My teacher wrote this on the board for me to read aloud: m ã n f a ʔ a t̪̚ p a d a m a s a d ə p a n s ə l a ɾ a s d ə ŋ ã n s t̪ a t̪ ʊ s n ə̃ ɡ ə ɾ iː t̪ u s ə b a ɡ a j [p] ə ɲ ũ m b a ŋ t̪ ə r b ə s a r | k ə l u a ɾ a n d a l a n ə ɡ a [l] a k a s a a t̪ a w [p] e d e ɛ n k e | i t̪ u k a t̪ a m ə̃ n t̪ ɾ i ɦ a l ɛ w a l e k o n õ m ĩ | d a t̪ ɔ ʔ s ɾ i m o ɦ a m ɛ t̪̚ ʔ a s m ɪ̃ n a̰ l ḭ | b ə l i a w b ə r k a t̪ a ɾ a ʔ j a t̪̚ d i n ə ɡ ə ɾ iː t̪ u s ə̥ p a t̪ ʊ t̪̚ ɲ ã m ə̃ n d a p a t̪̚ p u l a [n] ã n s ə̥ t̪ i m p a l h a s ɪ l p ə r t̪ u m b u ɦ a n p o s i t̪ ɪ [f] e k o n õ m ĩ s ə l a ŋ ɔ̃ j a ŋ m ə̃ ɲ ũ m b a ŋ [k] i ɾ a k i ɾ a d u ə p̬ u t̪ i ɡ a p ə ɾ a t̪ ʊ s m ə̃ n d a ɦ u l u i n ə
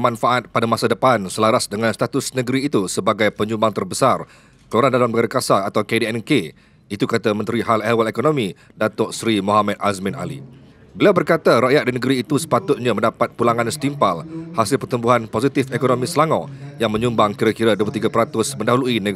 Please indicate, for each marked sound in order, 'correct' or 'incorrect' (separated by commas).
correct, incorrect, incorrect, incorrect, correct, correct